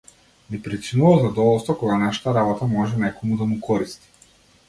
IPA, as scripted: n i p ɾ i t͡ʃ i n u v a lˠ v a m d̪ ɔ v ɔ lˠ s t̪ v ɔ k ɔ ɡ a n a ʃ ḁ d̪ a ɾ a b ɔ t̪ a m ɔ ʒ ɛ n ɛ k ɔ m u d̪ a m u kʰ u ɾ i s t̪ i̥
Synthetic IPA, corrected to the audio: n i p ɾ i t͡ʃ i n u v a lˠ z a d̪ ɔ v ɔ lˠ s t̪ v ɔ k ɔ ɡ a n a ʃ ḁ t̪ a ɾ a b ɔ t̪ a m ɔ ʒ ɛ n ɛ k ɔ m u d̪ a m u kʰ ɔ ɾ i s t̪ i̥